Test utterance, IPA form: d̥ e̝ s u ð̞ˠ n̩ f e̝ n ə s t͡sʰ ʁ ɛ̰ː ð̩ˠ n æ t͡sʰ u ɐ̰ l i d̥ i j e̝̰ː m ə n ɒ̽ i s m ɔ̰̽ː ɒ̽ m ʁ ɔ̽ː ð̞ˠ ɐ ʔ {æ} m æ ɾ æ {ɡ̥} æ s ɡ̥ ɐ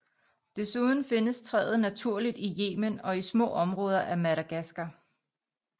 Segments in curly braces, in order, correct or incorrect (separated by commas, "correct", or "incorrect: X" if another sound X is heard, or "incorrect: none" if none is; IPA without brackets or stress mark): correct, correct